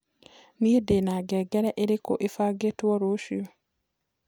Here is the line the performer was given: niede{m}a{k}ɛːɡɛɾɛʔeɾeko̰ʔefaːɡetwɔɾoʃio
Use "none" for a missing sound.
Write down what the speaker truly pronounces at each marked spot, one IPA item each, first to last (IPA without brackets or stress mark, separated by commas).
n, ɡ